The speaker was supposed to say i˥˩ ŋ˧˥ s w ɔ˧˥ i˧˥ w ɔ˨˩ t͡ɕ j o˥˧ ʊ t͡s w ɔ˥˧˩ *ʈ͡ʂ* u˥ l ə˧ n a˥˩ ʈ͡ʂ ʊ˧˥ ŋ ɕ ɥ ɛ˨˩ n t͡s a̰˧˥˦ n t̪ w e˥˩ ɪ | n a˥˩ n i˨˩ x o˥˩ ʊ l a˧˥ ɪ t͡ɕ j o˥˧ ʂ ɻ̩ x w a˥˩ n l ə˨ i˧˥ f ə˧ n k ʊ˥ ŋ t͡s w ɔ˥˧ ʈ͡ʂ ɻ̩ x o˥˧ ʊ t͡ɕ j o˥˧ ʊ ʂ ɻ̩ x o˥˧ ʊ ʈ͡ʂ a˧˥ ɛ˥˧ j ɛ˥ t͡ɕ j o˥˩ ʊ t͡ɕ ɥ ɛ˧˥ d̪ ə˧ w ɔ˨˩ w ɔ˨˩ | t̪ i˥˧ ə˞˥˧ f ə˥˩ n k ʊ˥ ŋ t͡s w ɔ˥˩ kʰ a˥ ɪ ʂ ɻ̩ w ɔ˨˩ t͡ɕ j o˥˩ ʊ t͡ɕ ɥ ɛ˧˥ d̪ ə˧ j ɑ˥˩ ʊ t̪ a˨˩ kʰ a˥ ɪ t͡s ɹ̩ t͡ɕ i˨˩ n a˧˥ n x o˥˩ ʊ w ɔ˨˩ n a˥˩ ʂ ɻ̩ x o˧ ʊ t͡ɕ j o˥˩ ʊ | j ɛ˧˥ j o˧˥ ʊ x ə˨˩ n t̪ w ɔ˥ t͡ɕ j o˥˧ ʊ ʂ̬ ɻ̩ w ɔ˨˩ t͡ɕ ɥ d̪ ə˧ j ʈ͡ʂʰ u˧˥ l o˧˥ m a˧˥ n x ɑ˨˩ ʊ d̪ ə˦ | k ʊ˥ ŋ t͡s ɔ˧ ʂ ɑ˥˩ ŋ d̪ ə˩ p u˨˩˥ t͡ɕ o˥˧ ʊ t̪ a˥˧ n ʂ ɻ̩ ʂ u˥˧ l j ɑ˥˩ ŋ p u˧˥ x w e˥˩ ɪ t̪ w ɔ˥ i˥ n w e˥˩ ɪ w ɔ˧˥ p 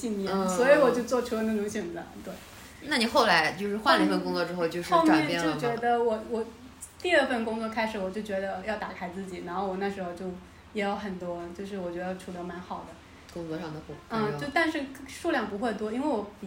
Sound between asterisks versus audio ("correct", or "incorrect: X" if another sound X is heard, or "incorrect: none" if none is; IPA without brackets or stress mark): incorrect: ʈ͡ʂʰ